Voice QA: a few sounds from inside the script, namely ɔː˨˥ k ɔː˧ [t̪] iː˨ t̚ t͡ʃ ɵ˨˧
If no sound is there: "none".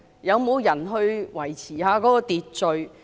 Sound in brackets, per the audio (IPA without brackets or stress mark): t̪